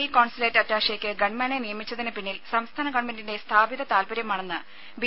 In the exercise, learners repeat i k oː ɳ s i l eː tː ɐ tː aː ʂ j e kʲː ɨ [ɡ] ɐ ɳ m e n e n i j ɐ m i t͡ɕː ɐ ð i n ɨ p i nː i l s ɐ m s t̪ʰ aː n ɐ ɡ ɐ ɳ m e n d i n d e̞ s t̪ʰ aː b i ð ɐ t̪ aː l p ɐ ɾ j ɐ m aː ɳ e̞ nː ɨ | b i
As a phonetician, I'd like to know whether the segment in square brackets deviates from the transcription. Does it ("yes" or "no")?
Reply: no